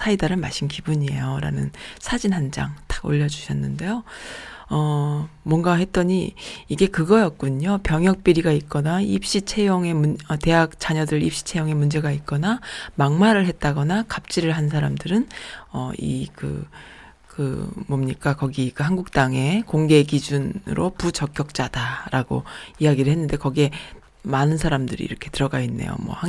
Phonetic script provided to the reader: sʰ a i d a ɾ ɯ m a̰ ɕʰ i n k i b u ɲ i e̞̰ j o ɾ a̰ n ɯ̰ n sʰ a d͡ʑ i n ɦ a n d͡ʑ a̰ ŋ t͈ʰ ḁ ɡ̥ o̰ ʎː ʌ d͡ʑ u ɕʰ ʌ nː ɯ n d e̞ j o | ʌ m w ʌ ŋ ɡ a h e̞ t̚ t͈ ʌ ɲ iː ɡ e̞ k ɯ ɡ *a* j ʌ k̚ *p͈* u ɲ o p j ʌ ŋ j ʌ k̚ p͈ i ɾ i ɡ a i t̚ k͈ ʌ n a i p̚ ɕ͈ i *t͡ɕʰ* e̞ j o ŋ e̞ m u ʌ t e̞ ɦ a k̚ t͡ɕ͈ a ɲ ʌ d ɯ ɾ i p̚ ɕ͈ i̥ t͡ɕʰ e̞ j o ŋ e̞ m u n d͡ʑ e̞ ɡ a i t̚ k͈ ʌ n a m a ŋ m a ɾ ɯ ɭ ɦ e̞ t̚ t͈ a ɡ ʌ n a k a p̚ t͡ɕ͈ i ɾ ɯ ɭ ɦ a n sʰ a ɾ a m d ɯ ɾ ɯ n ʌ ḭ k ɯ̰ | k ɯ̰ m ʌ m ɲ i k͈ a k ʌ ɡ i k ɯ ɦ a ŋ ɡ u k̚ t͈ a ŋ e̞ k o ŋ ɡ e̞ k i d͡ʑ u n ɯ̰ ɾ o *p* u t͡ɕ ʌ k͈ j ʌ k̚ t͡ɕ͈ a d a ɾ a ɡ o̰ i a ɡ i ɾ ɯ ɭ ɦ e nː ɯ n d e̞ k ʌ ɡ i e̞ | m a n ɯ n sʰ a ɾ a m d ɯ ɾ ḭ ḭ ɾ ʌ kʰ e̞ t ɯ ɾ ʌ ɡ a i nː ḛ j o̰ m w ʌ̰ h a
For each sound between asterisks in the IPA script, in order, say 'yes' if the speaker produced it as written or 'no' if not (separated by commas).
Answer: no, no, yes, yes